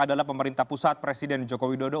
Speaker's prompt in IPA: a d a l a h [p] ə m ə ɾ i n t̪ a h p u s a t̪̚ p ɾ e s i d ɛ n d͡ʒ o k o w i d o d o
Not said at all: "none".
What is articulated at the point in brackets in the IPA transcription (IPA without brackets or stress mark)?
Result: p